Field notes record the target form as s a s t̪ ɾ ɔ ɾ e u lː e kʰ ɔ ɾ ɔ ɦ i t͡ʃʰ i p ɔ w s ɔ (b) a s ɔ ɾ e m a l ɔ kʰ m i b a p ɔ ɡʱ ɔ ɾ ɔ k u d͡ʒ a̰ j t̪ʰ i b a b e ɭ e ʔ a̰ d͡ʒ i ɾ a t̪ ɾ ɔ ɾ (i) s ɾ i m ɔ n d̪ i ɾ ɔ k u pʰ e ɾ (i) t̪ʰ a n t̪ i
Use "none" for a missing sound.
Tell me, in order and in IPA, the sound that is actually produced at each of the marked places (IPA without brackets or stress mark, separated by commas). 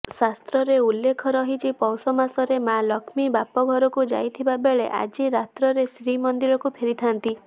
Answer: m, e, i